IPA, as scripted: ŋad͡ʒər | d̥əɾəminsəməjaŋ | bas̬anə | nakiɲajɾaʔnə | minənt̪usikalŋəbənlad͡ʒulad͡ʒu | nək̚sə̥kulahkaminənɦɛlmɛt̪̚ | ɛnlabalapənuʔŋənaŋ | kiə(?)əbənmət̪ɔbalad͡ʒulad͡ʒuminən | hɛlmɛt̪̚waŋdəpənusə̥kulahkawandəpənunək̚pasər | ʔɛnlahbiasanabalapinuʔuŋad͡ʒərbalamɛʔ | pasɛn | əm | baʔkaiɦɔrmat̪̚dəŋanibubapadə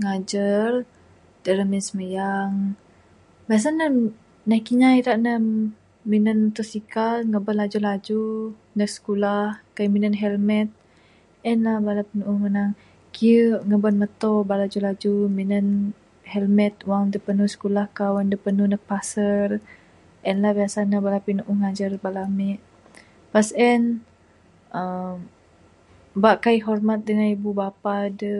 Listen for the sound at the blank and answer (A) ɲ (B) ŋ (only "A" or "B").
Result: B